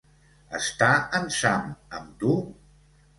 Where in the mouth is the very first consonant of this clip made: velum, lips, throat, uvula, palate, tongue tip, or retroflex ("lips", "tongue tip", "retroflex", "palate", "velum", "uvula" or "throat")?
tongue tip